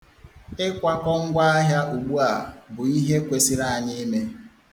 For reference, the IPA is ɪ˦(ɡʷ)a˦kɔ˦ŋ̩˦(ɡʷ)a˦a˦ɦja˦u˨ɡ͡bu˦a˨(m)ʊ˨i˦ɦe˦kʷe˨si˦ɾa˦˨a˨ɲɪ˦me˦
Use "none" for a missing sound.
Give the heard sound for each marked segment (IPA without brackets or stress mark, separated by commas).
kʷ, ɡʷ, b